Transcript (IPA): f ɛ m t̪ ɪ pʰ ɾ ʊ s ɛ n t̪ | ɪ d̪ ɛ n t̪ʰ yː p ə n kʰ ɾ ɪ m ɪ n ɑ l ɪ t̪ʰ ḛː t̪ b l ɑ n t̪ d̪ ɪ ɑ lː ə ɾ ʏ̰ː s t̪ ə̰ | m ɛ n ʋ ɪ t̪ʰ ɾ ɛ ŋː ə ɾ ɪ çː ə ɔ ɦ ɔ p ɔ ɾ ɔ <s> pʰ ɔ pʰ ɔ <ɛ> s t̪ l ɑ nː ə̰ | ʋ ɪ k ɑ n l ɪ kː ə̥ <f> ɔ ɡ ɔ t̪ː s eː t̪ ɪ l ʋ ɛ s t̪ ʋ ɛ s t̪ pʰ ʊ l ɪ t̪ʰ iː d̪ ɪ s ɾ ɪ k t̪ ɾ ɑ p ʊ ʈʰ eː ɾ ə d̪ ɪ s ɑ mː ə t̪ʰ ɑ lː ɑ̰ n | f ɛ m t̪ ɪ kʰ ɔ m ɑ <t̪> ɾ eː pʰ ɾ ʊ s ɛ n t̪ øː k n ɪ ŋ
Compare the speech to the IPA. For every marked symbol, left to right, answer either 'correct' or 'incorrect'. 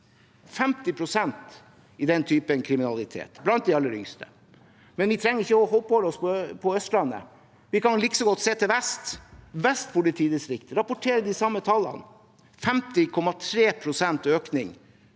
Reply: correct, incorrect: œ, incorrect: s, incorrect: t̪ʰ

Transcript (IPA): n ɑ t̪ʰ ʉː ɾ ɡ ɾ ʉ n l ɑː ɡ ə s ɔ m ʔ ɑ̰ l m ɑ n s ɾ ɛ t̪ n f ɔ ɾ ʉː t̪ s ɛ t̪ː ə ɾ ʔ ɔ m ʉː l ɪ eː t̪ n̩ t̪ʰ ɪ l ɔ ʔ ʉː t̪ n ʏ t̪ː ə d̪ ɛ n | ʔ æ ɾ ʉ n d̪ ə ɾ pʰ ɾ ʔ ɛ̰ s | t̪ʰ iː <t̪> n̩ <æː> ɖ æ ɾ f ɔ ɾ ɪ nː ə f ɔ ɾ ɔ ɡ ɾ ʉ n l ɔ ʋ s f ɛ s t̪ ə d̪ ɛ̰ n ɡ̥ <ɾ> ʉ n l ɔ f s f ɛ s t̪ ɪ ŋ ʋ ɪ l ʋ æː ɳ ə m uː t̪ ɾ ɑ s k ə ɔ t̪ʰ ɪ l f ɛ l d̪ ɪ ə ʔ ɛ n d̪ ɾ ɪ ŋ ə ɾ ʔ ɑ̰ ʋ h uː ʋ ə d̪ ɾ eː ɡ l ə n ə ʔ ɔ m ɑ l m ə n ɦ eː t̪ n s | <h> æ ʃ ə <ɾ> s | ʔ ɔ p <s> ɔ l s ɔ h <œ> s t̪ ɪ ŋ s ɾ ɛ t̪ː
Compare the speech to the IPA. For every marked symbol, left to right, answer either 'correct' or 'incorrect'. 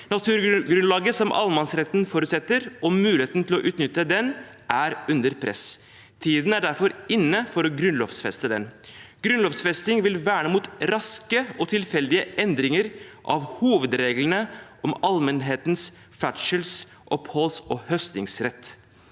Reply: incorrect: d̪, incorrect: æ, correct, incorrect: f, incorrect: l, incorrect: h, correct

